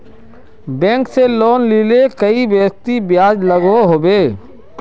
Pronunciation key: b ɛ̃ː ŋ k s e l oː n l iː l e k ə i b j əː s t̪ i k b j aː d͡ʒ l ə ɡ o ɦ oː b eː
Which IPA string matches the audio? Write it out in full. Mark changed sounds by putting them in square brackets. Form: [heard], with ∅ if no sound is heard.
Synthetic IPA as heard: b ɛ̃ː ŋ k s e l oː n l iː l e k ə i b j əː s t̪ i [∅] b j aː d͡ʒ l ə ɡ o ɦ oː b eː